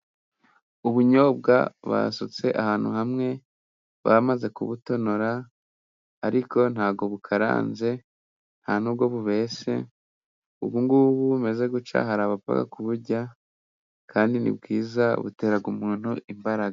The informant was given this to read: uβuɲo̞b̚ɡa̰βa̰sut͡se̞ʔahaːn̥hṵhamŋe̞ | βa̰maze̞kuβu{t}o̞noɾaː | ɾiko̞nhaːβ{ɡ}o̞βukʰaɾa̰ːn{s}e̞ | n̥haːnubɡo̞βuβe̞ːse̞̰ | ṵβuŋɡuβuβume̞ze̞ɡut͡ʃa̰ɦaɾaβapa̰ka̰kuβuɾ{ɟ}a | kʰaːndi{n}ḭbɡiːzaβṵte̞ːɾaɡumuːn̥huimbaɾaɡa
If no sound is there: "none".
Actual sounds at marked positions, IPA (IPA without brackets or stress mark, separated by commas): t, ɡ, z, ɟ, n